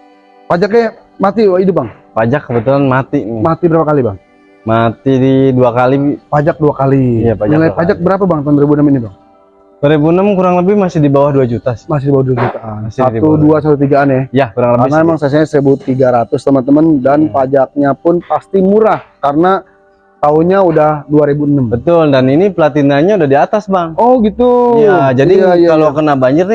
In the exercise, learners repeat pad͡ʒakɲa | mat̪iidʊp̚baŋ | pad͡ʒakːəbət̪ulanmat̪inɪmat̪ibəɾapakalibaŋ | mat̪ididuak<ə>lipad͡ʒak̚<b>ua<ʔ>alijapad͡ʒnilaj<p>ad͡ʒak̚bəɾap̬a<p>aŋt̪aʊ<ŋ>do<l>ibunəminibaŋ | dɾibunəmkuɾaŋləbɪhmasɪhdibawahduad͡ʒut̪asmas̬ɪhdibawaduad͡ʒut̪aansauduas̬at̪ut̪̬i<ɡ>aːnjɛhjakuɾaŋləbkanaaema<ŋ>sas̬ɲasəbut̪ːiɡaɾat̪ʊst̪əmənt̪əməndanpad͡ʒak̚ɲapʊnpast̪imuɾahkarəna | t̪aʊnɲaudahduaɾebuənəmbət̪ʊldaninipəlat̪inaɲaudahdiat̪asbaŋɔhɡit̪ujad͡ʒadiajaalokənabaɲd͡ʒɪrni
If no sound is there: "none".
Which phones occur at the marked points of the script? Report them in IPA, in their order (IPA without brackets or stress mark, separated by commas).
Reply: a, d, k, p, b, n, ɾ, ɡ, ŋ